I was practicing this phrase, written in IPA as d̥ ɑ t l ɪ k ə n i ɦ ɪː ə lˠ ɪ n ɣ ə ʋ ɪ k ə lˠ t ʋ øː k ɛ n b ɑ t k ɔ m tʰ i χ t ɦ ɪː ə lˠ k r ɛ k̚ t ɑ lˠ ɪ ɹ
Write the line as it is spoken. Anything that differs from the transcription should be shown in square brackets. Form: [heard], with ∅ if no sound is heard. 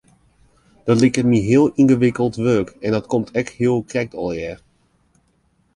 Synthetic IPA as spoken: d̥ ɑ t l ɪ k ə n i ɦ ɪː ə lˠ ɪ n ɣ ə ʋ ɪ k ə lˠ t ʋ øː k ɛ n [d] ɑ t k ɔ m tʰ [ɛ] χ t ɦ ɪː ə lˠ k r ɛ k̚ t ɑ lˠ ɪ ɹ